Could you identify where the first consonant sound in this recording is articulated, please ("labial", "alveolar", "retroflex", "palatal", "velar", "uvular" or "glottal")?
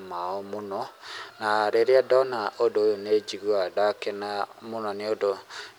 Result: labial